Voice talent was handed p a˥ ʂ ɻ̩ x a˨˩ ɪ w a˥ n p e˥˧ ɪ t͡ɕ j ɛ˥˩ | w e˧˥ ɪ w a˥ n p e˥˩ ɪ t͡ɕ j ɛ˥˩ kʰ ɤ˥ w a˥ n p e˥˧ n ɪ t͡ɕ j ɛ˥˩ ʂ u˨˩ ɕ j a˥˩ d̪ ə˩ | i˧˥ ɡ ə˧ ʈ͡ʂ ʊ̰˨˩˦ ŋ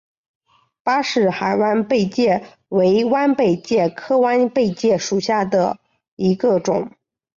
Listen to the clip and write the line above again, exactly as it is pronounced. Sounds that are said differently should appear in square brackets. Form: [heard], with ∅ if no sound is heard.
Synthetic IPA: p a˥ ʂ ɻ̩ x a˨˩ ɪ w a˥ n p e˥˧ ɪ t͡ɕ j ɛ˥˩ | w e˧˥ ɪ w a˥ n p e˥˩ ɪ t͡ɕ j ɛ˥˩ kʰ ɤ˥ w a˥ n p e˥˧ [∅] ɪ t͡ɕ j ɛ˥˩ ʂ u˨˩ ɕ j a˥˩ d̪ ə˩ | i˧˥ ɡ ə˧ ʈ͡ʂ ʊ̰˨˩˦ ŋ